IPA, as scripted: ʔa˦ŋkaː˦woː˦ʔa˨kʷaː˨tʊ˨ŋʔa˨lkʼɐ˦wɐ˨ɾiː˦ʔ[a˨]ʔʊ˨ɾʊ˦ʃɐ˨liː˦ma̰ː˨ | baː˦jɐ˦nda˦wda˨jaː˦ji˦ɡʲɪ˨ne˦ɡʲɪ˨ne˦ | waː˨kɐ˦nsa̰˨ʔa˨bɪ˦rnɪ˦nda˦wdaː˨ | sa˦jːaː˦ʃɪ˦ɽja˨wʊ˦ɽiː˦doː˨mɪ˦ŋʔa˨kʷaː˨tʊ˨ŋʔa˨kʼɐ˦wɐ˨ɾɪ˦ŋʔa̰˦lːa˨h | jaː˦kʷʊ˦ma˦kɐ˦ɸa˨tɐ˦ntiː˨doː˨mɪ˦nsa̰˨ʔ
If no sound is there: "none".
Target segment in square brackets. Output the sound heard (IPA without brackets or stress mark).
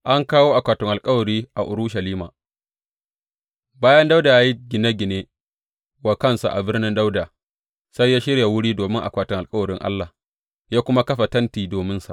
a˨